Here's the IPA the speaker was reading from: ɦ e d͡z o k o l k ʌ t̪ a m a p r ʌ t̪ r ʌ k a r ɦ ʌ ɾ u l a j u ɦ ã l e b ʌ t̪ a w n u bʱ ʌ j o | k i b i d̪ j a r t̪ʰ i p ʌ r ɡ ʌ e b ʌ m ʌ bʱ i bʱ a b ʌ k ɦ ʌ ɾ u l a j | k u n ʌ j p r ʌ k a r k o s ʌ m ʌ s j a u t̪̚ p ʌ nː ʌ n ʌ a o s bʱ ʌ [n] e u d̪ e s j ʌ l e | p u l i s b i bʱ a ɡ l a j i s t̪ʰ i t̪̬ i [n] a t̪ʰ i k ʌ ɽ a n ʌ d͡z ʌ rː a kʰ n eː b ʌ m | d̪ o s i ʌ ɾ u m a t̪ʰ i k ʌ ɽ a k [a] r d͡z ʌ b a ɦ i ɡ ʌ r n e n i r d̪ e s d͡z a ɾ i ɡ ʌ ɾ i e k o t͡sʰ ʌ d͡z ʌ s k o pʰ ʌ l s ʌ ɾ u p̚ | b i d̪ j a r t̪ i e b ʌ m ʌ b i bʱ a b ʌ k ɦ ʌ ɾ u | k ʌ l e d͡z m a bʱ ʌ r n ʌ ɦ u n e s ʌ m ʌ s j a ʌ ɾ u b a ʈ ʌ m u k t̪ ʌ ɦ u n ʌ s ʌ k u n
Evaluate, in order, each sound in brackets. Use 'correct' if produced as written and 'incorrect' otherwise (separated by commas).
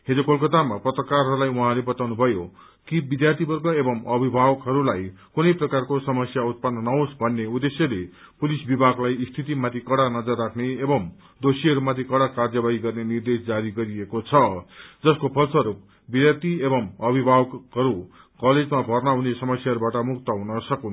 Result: incorrect, incorrect, correct